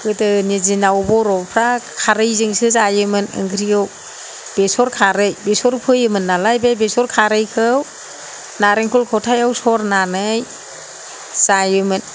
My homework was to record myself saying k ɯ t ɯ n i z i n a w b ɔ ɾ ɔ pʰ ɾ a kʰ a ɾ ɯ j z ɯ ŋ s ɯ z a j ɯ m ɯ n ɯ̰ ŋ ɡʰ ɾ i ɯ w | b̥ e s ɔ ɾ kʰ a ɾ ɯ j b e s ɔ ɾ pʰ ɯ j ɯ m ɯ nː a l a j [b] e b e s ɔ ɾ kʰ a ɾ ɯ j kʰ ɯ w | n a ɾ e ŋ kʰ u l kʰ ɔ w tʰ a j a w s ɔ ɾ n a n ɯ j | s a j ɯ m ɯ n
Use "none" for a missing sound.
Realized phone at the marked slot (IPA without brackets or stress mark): b